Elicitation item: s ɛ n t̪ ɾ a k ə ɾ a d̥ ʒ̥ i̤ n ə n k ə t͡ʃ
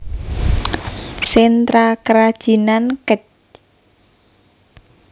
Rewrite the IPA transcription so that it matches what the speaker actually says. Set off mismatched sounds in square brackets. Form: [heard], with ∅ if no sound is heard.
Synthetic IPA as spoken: s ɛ n t̪ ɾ a k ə ɾ a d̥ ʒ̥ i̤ n [a] n k ə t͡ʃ